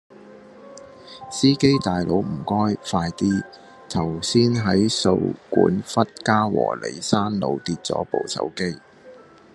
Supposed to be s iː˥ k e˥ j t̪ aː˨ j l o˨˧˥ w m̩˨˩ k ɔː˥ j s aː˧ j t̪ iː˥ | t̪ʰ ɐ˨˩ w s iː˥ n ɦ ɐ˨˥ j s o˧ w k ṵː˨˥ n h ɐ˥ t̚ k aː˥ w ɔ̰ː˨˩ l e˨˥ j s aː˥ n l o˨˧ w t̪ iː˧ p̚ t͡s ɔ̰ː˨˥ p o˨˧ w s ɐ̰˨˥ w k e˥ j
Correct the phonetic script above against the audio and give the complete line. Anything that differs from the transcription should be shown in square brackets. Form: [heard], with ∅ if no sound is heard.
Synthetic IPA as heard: s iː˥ k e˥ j t̪ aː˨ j l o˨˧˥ w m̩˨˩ k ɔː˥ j [f] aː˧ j t̪ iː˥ | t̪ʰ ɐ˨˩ w s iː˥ n ɦ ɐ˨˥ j s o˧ w k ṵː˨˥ n [f] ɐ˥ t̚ k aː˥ w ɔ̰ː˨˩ l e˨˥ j s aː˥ n l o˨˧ w t̪ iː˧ [t̚] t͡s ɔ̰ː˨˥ p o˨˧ w s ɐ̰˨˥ w k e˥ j